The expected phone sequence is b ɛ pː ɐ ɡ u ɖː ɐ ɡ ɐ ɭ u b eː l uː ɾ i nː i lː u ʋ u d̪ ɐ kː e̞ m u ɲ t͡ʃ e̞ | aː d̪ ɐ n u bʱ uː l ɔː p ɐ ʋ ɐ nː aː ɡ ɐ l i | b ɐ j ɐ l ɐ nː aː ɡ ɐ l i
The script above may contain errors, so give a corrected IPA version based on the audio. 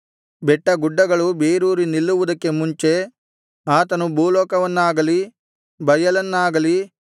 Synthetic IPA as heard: b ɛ ʈː ɐ ɡ u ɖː ɐ ɡ ɐ ɭ u b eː ɾ uː ɾ i n i lː u ʋ u d̪ ɐ kː e̞ m u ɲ t͡ʃ e̞ | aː t̪ ɐ n u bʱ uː l ɔː k ɐ ʋ ɐ nː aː ɡ ɐ l i | b ɐ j ɐ l ɐ nː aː ɡ ɐ l i